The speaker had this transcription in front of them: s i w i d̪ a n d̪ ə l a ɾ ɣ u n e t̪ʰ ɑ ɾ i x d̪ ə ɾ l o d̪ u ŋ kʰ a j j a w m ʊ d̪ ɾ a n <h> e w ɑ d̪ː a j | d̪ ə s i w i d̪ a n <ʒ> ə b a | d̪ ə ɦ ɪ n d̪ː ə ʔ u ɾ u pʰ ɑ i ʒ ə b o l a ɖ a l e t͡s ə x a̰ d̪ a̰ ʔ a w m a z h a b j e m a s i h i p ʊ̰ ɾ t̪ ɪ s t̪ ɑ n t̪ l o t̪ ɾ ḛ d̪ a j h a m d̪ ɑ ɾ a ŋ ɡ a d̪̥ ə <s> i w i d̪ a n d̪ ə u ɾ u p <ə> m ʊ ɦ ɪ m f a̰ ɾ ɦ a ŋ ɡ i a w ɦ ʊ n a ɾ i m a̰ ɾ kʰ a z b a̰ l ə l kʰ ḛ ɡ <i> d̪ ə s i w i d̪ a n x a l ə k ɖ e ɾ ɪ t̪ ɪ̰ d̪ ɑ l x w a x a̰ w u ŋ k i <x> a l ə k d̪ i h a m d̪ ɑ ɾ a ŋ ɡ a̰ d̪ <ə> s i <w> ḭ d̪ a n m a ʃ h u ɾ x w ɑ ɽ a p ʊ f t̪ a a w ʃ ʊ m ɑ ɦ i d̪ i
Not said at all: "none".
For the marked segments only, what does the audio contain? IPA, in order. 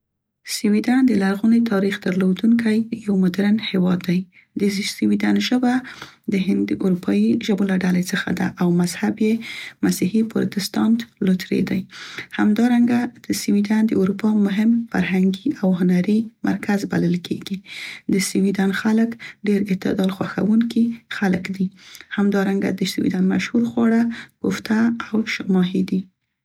h, ʒ, s, ɑ, i, x, ə, w

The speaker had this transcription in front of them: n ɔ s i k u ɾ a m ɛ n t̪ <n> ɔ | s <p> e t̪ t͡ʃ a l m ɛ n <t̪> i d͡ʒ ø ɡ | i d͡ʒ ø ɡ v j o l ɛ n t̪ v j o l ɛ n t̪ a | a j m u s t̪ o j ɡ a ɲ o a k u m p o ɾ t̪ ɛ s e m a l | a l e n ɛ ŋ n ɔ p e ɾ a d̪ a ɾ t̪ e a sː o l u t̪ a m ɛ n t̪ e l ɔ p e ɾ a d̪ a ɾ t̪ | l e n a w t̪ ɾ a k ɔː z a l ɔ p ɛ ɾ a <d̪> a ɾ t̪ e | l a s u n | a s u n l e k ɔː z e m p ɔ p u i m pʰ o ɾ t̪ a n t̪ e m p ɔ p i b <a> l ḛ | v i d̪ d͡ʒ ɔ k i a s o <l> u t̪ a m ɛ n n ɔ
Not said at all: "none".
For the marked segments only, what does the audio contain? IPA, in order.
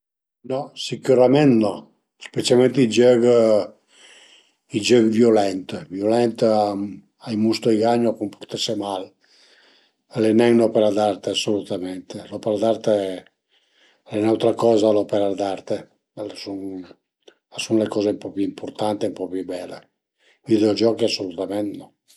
n, p, t̪, d̪, ɛ, l

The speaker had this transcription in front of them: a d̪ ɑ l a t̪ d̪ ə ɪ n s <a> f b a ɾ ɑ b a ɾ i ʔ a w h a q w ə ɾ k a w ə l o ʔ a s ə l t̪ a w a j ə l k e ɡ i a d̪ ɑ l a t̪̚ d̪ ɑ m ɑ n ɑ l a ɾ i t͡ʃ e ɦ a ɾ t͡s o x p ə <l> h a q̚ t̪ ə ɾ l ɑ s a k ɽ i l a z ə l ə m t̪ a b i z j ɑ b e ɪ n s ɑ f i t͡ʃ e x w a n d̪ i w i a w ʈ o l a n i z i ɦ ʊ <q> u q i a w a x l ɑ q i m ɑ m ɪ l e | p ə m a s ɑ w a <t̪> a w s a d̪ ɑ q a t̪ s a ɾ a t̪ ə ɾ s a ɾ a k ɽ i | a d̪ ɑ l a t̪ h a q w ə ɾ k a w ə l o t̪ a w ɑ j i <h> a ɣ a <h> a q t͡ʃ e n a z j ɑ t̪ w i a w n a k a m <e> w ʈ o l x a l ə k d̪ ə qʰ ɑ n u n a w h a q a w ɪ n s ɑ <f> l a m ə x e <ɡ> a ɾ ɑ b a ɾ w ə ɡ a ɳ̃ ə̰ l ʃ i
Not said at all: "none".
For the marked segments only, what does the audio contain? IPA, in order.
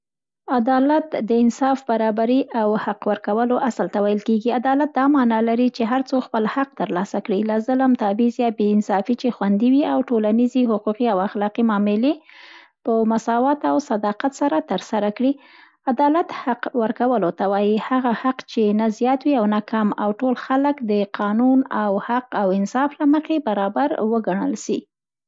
ɑ, l, q, t̪, h, h, a, f, b

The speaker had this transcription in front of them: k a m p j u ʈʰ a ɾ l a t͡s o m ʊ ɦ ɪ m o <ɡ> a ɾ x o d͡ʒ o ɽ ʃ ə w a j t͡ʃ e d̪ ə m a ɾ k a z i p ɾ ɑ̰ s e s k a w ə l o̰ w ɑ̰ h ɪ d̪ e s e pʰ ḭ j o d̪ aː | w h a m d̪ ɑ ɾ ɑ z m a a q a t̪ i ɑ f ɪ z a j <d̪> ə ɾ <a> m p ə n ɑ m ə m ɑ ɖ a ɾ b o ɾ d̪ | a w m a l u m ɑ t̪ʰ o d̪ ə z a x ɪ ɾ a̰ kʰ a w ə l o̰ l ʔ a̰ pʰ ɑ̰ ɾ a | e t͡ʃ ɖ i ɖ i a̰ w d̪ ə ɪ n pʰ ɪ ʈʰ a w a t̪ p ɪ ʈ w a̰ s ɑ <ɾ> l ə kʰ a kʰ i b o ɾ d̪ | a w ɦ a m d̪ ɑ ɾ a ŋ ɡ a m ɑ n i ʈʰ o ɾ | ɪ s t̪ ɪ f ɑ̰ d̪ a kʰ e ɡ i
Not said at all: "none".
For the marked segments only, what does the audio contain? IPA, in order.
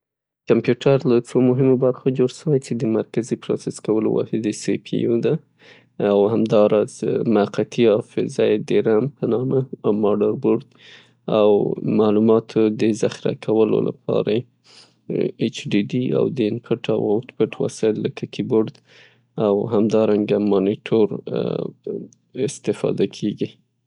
b, d̪, a, l

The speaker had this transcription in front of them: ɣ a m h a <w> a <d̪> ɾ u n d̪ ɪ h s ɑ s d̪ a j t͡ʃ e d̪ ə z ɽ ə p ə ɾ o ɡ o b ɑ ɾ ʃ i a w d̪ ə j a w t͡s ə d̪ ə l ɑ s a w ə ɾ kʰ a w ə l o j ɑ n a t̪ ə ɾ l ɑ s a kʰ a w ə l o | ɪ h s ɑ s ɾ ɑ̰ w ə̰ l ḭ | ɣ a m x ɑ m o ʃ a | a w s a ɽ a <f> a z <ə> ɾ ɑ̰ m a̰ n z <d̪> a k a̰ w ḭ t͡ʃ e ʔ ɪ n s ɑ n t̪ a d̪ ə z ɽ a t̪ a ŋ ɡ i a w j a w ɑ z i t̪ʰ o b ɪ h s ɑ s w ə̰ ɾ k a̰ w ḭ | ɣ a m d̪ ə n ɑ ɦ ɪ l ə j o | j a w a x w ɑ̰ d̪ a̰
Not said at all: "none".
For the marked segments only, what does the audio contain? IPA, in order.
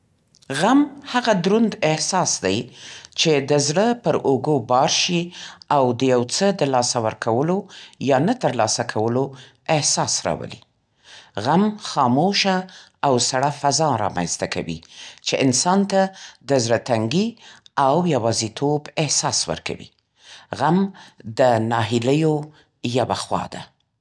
ɣ, d̪, f, ɑ, t̪

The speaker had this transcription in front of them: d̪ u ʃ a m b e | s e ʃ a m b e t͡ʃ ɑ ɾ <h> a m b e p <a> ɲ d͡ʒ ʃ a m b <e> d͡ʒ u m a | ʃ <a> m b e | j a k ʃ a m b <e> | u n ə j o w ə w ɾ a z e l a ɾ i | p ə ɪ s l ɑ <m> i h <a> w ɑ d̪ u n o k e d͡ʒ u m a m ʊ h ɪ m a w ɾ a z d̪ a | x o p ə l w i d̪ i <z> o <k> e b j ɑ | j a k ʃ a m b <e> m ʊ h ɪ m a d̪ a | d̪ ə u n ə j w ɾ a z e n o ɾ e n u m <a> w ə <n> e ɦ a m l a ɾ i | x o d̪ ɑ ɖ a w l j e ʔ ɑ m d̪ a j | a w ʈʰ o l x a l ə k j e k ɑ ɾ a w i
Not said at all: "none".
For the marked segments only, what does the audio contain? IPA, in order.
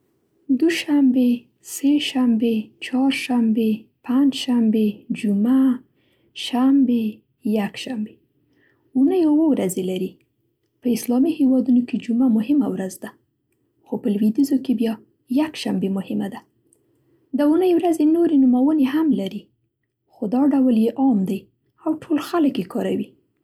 ʃ, a, e, a, e, m, e, z, k, e, a, n

